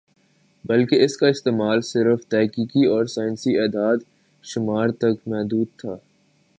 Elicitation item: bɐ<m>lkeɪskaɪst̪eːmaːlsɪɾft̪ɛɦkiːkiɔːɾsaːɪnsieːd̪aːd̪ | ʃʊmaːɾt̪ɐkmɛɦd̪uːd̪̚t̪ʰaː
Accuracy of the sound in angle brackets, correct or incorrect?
incorrect